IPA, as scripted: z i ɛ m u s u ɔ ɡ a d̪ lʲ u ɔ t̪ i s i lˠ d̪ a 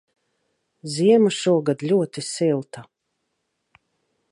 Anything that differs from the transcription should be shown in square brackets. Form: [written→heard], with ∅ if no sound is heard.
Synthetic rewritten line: z i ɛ m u [s→ʃ] u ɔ ɡ a d̪ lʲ u ɔ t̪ i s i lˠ [d̪→t̪] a